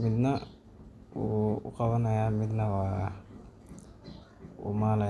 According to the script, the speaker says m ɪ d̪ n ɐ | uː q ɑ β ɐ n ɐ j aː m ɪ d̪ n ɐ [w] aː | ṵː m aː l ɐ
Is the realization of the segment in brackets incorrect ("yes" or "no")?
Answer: no